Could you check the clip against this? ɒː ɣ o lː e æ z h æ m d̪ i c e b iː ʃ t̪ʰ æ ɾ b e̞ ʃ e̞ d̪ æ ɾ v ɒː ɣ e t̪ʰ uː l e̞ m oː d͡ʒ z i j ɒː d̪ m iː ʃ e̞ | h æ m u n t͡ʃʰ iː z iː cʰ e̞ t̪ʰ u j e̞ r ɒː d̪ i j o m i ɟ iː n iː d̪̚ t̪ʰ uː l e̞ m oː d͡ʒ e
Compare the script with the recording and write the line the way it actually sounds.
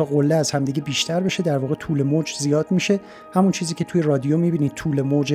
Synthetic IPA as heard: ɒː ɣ o lː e æ z h æ m d̪ i ɟ e b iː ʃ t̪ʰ æ ɾ b e̞ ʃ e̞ d̪ æ ɾ v ɒː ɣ e t̪ʰ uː l e̞ m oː d͡ʒ z i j ɒː d̪ m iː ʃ e̞ | h æ m u n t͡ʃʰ iː z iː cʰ e̞ t̪ʰ u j e̞ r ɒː d̪ i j o m i b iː n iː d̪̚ t̪ʰ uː l e̞ m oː d͡ʒ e